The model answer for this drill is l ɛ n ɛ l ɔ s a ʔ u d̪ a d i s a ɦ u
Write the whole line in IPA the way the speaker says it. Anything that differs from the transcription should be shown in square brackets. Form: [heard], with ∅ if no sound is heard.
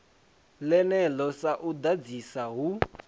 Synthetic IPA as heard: l ɛ n ɛ l ɔ s a ʔ u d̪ a [d͡z] i s a ɦ u